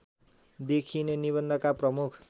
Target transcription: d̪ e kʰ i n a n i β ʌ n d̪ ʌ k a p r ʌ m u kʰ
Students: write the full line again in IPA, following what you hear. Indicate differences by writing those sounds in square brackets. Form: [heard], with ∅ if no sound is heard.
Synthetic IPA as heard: d̪ e kʰ i n [e] n i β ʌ n d̪ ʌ k a p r ʌ m u kʰ